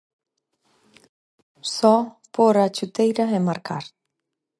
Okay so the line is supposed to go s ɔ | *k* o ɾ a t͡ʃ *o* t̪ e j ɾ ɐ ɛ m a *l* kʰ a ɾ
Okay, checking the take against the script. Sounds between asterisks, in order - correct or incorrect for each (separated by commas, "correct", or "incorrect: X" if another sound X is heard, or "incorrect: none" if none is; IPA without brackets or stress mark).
incorrect: p, incorrect: u, incorrect: ɾ